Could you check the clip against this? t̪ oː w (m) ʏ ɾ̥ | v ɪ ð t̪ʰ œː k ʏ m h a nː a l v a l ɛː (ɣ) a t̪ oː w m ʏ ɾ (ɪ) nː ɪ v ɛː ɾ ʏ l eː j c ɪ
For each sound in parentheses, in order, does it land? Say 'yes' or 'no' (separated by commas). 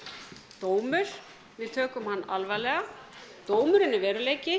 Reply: yes, yes, yes